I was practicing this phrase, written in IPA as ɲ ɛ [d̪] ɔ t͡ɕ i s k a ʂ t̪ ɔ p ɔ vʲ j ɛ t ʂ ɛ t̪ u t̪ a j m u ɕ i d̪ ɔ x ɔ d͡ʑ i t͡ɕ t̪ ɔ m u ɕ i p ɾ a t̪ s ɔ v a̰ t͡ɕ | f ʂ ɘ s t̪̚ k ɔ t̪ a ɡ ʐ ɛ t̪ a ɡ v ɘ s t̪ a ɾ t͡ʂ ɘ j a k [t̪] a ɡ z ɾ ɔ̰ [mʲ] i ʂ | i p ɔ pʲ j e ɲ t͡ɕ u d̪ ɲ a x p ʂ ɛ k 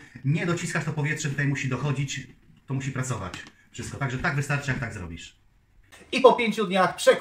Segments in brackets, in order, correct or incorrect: correct, correct, incorrect: bʲ

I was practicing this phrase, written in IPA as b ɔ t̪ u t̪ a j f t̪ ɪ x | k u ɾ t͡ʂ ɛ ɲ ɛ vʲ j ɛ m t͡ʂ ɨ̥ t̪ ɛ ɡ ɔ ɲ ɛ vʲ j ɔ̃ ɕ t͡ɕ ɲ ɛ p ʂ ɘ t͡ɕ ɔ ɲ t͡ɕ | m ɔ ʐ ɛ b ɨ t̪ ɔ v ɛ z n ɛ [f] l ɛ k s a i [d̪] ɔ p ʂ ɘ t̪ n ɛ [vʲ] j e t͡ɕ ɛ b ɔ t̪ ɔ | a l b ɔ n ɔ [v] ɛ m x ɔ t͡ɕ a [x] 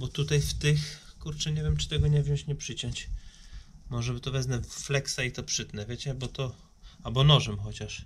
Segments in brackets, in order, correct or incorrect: correct, incorrect: t̪, correct, incorrect: ʐ, incorrect: ʂ

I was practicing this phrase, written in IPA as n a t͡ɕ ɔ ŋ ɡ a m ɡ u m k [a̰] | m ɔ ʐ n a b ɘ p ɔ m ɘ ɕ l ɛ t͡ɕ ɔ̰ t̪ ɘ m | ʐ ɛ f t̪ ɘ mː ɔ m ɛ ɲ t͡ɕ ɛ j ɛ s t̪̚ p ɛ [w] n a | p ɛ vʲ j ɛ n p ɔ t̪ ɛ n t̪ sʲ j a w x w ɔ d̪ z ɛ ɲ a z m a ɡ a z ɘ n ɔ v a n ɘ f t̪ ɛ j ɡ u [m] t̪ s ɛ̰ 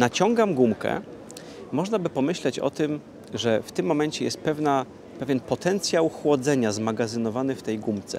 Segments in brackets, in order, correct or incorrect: incorrect: ɛ̰, incorrect: v, correct

